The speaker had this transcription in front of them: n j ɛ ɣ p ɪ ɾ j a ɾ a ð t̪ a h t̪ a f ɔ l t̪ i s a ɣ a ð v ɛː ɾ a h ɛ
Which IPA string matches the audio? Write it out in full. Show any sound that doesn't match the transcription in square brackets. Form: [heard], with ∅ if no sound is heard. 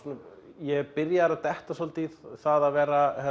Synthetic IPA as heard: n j ɛ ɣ p ɪ ɾ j a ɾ a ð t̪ [ɛ] h t̪ a [s] ɔ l t̪ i [θ] a [ð] a ð v ɛː ɾ a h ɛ